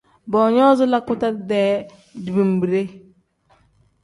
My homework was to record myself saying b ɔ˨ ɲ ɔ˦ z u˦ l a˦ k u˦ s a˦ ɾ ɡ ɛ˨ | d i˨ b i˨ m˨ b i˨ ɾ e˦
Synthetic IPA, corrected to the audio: b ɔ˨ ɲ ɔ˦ z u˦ l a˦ k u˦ t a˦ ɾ d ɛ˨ | d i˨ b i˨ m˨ b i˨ ɾ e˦